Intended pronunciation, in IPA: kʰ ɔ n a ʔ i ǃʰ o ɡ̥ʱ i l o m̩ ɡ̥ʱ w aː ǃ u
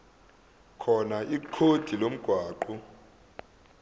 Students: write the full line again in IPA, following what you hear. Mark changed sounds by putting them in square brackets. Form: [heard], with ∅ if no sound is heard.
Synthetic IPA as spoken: kʰ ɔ n a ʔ i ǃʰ o [d̥ʱ] i l o m̩ ɡ̥ʱ w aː ǃ u